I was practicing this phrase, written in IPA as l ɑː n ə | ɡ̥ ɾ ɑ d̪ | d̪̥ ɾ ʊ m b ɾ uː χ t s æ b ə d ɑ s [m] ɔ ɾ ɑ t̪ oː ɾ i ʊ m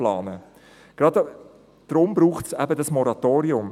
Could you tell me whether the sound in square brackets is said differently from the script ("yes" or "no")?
no